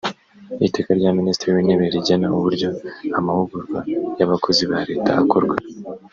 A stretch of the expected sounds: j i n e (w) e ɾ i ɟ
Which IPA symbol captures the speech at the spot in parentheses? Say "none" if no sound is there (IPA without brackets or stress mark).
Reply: β